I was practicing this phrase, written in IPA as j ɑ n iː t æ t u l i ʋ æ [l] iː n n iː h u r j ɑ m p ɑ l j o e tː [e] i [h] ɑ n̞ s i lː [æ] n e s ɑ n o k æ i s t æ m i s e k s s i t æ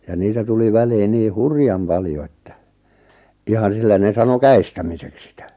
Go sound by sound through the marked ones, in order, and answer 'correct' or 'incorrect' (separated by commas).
correct, incorrect, correct, correct